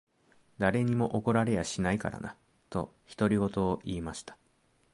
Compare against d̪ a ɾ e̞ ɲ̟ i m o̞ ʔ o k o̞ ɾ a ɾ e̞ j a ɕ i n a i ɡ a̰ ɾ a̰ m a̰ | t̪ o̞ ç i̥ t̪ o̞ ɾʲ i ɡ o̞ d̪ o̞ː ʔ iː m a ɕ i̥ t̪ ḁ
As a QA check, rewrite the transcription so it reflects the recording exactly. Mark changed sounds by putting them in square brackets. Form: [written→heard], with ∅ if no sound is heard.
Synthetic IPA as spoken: d̪ a ɾ e̞ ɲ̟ i m o̞ ʔ o k o̞ ɾ a ɾ e̞ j a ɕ i n a i [ɡ→k] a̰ ɾ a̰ [m→n] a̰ | t̪ o̞ ç i̥ t̪ o̞ ɾʲ i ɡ o̞ [d̪→t̪] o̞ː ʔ iː m a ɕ i̥ t̪ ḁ

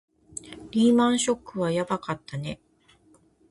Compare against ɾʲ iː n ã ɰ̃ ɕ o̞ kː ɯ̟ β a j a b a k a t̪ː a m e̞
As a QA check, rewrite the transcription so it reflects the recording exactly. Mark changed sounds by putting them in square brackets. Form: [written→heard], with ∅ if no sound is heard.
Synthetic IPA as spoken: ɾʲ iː [n→m] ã ɰ̃ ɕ o̞ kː ɯ̟ β a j a b a k a t̪ː a [m→n] e̞

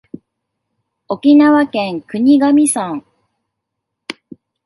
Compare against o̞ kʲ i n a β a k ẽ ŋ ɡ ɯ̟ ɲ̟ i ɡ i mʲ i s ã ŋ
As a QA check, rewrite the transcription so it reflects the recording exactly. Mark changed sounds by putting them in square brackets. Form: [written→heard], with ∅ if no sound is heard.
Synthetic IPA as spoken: o̞ kʲ i n a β a k ẽ ŋ [ɡ→k] ɯ̟ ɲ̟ i ɡ [i→a] mʲ i s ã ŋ

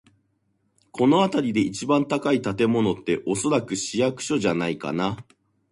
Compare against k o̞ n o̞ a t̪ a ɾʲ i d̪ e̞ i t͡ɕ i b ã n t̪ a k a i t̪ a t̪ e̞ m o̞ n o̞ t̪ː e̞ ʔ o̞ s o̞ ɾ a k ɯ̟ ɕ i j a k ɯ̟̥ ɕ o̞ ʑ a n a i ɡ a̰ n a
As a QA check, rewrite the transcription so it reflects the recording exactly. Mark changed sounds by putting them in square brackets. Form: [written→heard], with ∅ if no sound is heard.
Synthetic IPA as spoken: k o̞ n o̞ a t̪ a ɾʲ i d̪ e̞ i t͡ɕ i b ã n t̪ a k a i t̪ a t̪ e̞ m o̞ n o̞ t̪ː e̞ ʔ o̞ s o̞ ɾ a k ɯ̟ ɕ i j a k ɯ̟̥ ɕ o̞ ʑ a n a i [ɡ→k] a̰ n a

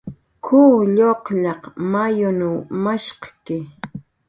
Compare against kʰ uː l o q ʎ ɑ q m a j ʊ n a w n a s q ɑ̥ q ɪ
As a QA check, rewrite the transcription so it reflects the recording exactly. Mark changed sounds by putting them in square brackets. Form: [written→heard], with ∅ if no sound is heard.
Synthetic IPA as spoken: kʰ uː [l→ʎ] o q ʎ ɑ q m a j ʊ n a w [n→m] a [s→ʃ] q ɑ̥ [q→k] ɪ

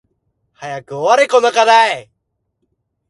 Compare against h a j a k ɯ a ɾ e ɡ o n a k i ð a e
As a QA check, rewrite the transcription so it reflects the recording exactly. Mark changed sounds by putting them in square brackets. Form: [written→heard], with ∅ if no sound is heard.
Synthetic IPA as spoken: h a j a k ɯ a ɾ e [ɡ→k] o n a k [i→a] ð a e

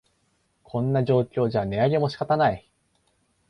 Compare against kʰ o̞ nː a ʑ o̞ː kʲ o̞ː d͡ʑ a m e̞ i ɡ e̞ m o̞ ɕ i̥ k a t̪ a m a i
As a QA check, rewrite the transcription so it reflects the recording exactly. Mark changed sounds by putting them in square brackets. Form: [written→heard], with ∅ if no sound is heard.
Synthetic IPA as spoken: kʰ [o̞→õ̞] nː a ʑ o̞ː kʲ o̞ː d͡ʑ a [m→n] e̞ [i→a] ɡ e̞ m o̞ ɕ i̥ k a t̪ a [m→n] a i

